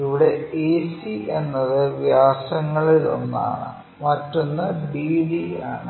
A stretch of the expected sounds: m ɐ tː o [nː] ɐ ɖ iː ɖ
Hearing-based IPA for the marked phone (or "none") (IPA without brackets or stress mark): nː